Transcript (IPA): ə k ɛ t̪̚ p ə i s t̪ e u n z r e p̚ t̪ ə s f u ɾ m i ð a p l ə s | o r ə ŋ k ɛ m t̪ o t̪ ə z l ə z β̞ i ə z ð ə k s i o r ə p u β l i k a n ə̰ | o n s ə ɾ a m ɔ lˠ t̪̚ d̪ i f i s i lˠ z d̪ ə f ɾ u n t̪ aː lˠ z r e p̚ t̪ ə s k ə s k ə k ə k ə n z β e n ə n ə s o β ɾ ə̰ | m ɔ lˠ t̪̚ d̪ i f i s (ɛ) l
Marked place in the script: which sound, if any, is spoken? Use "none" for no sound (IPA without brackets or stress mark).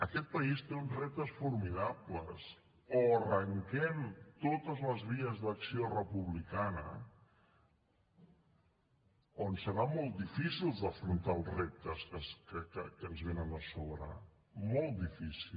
i